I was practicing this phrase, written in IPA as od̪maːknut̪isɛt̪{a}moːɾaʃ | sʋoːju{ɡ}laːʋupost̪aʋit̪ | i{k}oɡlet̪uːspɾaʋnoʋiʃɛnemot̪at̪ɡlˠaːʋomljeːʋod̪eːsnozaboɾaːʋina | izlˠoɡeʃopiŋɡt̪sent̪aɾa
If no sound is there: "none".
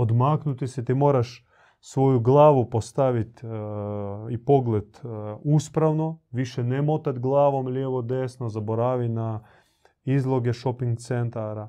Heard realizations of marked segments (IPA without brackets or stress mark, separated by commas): i, ɡ, p